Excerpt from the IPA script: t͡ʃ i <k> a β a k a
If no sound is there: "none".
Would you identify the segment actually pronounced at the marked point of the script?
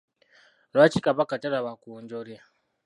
k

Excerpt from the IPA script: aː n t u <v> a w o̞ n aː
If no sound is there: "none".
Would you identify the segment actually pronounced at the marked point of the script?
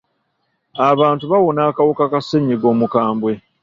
β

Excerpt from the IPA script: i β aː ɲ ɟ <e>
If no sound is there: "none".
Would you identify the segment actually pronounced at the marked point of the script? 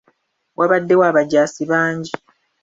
i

